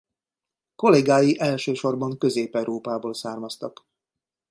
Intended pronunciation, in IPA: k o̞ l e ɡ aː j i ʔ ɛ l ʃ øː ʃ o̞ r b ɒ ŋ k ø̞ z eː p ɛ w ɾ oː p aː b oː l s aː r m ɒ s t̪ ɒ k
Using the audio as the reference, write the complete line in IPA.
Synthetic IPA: k o̞ l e ɡ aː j i ʔ ɛ l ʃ øː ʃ o̞ r b ɒ ŋ k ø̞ z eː p ɛ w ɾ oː p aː b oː l s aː r m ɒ s t̪ ɒ k